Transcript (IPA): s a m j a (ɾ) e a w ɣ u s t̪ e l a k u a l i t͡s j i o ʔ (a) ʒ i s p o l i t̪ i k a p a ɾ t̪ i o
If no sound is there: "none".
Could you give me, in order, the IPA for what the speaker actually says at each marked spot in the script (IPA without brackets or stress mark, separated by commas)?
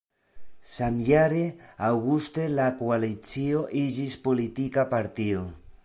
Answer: ɾ, i